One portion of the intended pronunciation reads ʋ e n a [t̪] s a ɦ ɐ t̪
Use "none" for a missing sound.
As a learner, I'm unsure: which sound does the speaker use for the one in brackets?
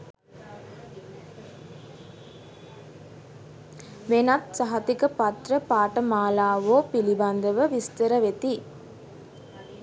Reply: t̪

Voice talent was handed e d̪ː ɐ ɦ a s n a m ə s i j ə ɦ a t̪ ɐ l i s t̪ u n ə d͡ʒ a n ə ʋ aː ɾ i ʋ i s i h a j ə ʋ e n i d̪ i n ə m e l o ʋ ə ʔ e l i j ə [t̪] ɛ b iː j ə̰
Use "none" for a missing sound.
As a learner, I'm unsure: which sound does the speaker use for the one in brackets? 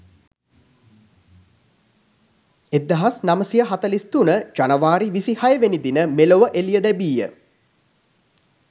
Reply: d̪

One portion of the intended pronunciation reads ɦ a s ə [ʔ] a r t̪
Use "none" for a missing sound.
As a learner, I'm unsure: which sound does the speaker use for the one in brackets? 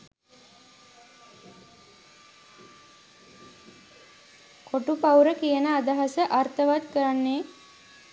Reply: ʔ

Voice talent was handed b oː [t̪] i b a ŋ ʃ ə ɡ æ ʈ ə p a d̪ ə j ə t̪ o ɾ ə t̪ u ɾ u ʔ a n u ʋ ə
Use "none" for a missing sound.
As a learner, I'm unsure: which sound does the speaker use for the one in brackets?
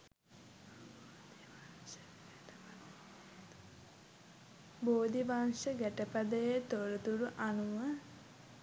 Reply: d̪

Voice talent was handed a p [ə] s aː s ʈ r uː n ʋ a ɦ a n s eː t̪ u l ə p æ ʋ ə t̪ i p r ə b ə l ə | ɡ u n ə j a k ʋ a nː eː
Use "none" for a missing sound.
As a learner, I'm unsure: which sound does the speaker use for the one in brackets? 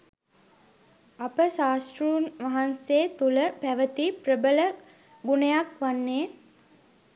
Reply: ə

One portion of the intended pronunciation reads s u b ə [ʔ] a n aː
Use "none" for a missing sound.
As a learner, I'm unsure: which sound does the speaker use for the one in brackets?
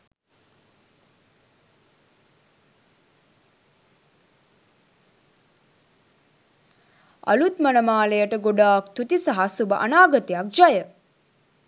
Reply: ʔ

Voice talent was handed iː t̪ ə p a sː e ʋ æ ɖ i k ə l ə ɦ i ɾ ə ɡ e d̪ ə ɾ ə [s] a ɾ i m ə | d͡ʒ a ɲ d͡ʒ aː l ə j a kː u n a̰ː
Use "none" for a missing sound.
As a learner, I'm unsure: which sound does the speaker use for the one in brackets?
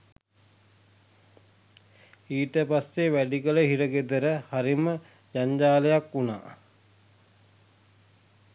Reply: h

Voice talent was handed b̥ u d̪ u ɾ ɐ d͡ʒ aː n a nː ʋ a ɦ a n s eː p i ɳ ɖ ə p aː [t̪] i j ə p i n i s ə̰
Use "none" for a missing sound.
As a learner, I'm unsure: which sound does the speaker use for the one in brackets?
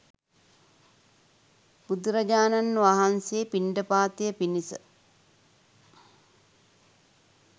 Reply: t̪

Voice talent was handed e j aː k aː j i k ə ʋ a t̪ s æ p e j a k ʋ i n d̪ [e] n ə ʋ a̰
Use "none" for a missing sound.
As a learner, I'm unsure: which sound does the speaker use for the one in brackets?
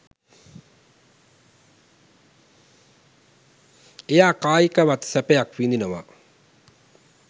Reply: i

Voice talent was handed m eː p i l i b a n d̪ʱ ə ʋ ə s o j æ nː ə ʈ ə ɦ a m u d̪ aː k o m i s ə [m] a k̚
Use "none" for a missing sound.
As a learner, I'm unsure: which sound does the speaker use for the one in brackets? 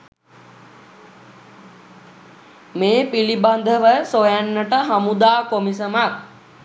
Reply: m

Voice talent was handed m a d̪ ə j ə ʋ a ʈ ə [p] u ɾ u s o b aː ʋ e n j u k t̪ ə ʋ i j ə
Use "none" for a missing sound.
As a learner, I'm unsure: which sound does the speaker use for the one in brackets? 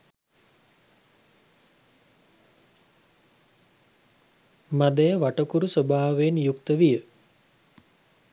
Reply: k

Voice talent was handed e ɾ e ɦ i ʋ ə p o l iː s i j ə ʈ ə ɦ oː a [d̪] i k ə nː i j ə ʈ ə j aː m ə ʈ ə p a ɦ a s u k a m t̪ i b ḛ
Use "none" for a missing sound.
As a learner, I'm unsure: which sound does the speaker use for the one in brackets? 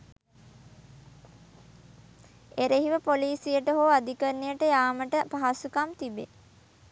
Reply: d̪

